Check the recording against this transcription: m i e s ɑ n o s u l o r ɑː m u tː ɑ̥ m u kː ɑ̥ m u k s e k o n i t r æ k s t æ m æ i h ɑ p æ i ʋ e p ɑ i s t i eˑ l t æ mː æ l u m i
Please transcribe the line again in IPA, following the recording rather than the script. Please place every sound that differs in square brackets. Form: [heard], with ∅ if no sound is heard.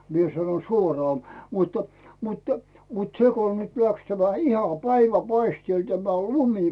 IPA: m i e s ɑ n o s u [∅] o r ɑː m u tː ɑ̥ m u [tː] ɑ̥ m u [t] s e k o n [y] t [l] æ k s t æ m æ i h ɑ p æ i ʋ [æ] p ɑ i s t i eˑ l t æ [m] æ l u m i